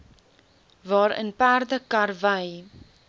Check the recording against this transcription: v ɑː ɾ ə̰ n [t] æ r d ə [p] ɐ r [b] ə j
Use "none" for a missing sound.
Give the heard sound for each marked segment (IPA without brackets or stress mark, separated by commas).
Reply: p, k, v